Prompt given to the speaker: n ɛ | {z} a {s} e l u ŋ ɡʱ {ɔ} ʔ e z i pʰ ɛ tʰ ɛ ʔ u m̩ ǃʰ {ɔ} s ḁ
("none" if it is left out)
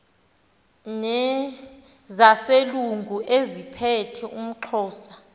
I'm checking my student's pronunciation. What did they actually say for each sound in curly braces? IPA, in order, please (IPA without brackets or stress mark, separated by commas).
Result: z, s, u, ɔː